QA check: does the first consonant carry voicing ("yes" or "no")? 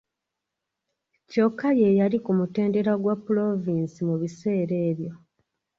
no